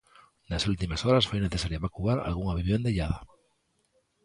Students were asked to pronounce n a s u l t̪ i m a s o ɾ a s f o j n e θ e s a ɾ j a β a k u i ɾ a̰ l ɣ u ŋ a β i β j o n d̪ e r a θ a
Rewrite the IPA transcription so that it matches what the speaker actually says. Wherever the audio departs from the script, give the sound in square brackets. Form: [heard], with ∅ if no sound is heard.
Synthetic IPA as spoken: n a s u l t̪ i m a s o ɾ a s f o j n e θ e s a ɾ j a β a k u [a] ɾ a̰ l ɣ u ŋ a β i β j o n d̪ e [ʎ] a [ð] a